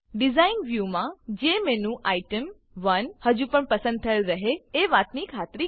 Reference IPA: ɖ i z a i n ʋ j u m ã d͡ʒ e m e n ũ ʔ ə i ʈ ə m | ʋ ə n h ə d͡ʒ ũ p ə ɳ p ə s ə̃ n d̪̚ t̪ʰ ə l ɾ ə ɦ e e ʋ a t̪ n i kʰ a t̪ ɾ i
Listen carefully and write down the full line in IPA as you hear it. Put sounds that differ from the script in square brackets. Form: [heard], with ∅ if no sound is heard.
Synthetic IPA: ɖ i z a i n ʋ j u m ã d͡ʒ e m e n ũ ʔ [a] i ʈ ə m | ʋ ə n h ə d͡ʒ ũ p ə ɳ p ə s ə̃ n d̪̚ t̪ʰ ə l ɾ ə ɦ e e ʋ a t̪ n i kʰ a t̪ ɾ i